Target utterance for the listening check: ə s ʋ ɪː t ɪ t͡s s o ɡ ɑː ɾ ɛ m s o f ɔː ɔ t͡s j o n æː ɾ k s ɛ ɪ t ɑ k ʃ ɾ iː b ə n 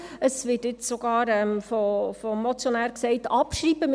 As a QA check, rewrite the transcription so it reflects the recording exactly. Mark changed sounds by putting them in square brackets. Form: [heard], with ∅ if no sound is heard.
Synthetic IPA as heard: ə s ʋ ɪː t ɪ t͡s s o ɡ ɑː ɾ ɛ m [f] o f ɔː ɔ t͡s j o n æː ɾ k s ɛ ɪ t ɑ [p] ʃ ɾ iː b ə [m]